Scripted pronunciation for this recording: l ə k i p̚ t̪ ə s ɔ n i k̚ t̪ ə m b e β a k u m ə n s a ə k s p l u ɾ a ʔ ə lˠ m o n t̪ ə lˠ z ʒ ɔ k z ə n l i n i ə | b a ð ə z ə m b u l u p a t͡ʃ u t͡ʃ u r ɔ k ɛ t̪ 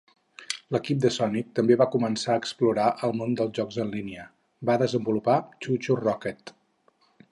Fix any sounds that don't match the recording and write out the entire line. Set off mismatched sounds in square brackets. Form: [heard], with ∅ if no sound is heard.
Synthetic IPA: l ə k i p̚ [d̪] ə s ɔ n i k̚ t̪ ə m b e β a k u m ə n s a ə k s p l u ɾ a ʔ ə lˠ m o n [d̪] ə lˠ z ʒ ɔ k z ə n l i n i ə | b a ð ə z ə m b u l u p a t͡ʃ u t͡ʃ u r ɔ k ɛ t̪